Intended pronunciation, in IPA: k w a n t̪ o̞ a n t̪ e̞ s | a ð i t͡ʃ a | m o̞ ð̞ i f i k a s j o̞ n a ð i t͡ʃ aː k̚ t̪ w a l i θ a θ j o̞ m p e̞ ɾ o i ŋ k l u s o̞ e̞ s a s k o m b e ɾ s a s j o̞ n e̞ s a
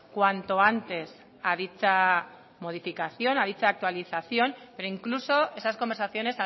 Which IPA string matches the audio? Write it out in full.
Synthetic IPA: k w a n t̪ o̞ a n t̪ e̞ s | a ð i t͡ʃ a | m o̞ ð̞ i f i k a θ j o̞ n a ð i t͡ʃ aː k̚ t̪ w a l i θ a θ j o̞ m p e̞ ɾ o i ŋ k l u s o̞ e̞ s a s k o m b e ɾ s a θ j o̞ n e̞ s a